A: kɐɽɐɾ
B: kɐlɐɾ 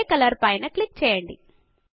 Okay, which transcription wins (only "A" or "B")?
B